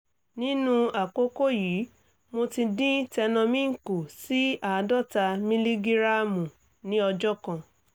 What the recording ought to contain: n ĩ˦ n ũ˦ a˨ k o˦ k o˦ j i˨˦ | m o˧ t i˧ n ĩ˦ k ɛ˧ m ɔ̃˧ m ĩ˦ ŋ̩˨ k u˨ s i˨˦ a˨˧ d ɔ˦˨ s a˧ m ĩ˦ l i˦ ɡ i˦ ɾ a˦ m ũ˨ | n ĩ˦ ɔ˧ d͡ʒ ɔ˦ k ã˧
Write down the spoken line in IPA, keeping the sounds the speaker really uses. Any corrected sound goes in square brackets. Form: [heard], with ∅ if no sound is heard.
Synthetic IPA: n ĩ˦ n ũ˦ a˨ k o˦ k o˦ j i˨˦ | m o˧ t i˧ [d] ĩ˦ [t] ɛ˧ [n] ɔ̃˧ m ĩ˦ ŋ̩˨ k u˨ s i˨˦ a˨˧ d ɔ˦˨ [t] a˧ m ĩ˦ l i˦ ɡ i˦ ɾ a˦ m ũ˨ | n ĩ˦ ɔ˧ d͡ʒ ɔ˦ k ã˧